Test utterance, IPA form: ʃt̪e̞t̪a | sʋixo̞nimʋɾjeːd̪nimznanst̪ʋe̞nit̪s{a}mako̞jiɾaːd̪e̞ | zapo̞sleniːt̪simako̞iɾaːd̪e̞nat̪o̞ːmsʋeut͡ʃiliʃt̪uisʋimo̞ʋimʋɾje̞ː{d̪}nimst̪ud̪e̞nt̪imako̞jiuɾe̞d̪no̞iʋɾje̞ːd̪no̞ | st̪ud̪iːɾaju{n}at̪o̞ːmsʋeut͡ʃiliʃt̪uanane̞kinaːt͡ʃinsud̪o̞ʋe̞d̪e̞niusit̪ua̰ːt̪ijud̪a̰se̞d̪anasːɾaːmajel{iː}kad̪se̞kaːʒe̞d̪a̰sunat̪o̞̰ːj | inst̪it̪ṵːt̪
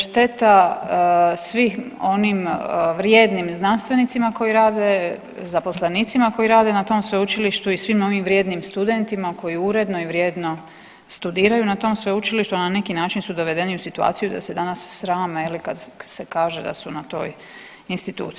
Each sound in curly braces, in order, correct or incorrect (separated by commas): incorrect, correct, correct, incorrect